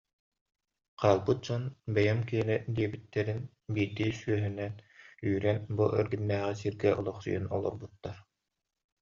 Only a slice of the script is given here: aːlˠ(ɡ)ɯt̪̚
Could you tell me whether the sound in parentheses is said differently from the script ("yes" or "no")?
yes